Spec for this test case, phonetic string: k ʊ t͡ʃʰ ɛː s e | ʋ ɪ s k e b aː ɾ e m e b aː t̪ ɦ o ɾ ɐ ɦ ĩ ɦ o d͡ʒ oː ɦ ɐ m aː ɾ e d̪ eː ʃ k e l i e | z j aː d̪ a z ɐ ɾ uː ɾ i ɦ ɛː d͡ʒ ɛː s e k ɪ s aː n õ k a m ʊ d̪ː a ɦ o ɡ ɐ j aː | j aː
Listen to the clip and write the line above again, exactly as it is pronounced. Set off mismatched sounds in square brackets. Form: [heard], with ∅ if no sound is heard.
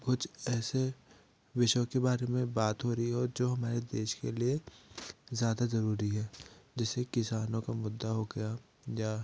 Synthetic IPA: k ʊ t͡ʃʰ ɛː s e | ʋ ɪ [ʃ] k e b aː ɾ e m [ẽ] b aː t̪ ɦ o ɾ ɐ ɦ [i] ɦ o d͡ʒ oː ɦ ɐ m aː ɾ e d̪ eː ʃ k e l i e | z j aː d̪ a z ɐ ɾ uː ɾ i ɦ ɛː d͡ʒ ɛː s e k ɪ s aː n õ k a m ʊ d̪ː a ɦ o ɡ ɐ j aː | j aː